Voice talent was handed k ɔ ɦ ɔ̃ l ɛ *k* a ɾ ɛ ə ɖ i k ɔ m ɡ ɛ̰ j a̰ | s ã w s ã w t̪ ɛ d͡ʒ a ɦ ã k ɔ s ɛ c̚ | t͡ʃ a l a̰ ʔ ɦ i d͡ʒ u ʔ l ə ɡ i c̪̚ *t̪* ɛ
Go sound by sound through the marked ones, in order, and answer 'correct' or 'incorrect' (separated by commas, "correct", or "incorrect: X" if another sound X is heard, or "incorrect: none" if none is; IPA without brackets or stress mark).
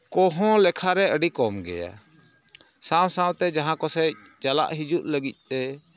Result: incorrect: kʰ, correct